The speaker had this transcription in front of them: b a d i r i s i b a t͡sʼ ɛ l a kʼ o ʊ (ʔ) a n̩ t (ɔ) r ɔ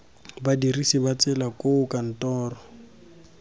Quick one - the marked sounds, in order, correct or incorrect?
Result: incorrect, incorrect

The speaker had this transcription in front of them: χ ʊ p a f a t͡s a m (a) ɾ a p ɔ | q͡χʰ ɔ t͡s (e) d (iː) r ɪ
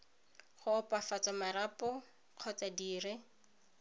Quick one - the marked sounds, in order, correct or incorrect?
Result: correct, incorrect, correct

